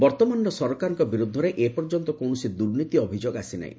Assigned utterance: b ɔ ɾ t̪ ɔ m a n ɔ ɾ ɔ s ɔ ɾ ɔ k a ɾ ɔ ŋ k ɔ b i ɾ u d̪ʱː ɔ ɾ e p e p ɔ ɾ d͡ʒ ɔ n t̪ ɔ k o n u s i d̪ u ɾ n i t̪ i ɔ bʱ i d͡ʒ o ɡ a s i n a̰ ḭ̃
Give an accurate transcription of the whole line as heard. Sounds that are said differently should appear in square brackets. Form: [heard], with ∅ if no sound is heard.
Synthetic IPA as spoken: b ɔ ɾ t̪ ɔ m a n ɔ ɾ ɔ s ɔ ɾ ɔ k a ɾ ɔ ŋ k ɔ b i ɾ u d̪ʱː ɔ ɾ e [ʔ] e p ɔ ɾ d͡ʒ ɔ n t̪ ɔ k o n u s i d̪ u ɾ n i t̪ i ɔ bʱ i d͡ʒ o ɡ a s i n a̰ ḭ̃